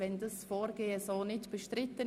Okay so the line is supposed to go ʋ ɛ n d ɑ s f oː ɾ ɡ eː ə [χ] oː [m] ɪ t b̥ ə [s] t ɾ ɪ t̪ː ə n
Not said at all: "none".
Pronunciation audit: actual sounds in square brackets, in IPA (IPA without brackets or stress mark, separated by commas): s, n, ʃ